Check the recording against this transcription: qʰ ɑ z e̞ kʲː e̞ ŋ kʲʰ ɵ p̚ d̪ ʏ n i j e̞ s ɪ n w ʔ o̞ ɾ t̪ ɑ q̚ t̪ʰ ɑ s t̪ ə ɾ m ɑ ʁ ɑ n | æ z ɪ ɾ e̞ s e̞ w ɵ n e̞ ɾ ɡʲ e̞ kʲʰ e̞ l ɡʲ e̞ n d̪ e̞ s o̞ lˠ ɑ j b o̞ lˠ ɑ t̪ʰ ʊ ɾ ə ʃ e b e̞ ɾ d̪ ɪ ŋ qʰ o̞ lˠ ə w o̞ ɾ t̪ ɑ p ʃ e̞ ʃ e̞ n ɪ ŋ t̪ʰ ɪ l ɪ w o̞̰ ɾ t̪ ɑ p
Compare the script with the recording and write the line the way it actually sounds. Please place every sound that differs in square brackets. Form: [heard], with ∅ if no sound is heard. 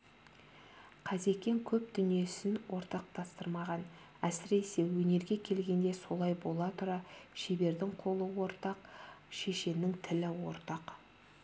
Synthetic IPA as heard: qʰ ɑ z e̞ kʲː e̞ ŋ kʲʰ ɵ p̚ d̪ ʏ n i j e̞ s ɪ n w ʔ o̞ ɾ t̪ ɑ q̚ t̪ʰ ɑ s t̪ ə ɾ m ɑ ʁ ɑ n | æ [s] ɪ ɾ e̞ s e̞ w ɵ n e̞ ɾ ɡʲ e̞ kʲʰ e̞ l ɡʲ e̞ n d̪ e̞ s o̞ lˠ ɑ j b o̞ lˠ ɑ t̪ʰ ʊ ɾ [ɑ] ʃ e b e̞ ɾ d̪ ɪ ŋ qʰ o̞ lˠ ə w o̞ ɾ t̪ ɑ [q] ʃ e̞ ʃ e̞ n ɪ ŋ t̪ʰ ɪ l ɪ w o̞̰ ɾ t̪ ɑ [q]

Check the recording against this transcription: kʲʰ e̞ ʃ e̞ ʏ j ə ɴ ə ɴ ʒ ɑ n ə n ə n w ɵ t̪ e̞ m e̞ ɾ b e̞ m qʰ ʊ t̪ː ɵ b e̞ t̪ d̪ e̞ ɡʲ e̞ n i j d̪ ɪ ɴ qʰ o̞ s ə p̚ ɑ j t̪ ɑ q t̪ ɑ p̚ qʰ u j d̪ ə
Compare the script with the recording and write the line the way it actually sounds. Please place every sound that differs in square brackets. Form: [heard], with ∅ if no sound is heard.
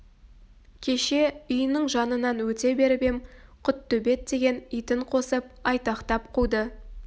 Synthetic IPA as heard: kʲʰ e̞ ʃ e̞ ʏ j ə [n] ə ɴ ʒ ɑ n ə n [ɑ] n w ɵ t̪ e̞ [b] e̞ ɾ b e̞ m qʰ ʊ t̪ː ɵ b e̞ t̪ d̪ e̞ ɡʲ e̞ n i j [t̪] ɪ ɴ qʰ o̞ s ə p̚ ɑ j t̪ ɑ q t̪ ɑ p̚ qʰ u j d̪ ə

